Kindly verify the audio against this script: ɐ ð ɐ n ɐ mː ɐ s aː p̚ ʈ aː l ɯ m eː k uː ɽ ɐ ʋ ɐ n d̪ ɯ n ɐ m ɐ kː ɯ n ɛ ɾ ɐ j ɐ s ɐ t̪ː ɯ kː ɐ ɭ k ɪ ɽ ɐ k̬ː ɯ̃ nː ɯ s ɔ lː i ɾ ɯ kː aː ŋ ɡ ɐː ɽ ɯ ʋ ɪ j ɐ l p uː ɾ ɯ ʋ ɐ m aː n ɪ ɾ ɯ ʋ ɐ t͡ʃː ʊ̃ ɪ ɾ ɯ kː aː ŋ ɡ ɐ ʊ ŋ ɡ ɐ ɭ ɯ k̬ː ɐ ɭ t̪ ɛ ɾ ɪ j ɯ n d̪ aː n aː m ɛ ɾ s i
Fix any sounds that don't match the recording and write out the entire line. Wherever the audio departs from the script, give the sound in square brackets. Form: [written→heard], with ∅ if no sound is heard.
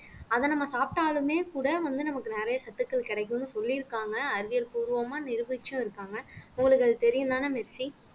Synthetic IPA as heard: ɐ ð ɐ n ɐ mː ɐ s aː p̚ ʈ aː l ɯ m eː k uː ɽ ɐ ʋ ɐ n d̪ ɯ n ɐ m ɐ kː ɯ n ɛ ɾ ɐ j ɐ s ɐ t̪ː ɯ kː ɐ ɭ k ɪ ɽ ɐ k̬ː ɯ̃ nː ɯ s ɔ lː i ɾ ɯ kː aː ŋ ɡ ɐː [ɽ→ɾ] ɯ ʋ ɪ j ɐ l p uː ɾ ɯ ʋ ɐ m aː n ɪ ɾ ɯ ʋ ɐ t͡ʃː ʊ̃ ɪ ɾ ɯ kː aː ŋ ɡ ɐ ʊ ŋ ɡ ɐ ɭ ɯ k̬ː ɐ ɭ t̪ ɛ ɾ ɪ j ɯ n d̪ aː n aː m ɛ ɾ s i